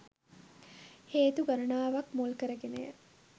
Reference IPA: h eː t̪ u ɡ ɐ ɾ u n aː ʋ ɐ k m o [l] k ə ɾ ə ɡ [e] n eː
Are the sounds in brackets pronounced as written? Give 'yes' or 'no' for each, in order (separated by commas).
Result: yes, yes